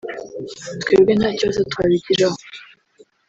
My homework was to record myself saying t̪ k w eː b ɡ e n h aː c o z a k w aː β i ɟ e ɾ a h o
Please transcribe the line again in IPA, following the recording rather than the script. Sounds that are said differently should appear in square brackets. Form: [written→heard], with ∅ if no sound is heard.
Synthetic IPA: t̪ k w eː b ɡ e n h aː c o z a [k→t] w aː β i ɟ [e→i] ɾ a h o

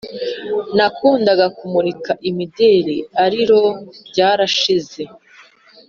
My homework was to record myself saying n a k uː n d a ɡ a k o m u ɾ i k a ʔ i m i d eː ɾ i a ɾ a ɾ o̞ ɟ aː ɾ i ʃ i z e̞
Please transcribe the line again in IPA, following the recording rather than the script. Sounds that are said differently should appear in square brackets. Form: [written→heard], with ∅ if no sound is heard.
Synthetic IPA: n a k uː n d a ɡ a k [o→u] m u ɾ i k a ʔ i m i d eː ɾ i a ɾ [a→i] ɾ o̞ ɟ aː ɾ [i→a] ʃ i z e̞

